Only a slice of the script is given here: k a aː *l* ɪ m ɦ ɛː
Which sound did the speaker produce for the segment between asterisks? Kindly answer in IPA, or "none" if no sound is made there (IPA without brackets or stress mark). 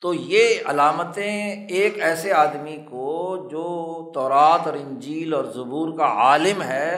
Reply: l